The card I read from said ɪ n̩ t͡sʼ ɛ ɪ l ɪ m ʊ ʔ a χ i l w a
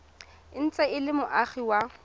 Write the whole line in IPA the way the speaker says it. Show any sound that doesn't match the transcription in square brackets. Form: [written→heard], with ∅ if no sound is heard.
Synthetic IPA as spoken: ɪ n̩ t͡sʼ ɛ ɪ l ɪ m ʊ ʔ a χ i [l→∅] w a